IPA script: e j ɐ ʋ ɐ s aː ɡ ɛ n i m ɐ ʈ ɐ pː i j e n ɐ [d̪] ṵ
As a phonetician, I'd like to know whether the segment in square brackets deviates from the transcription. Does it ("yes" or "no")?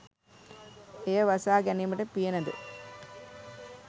no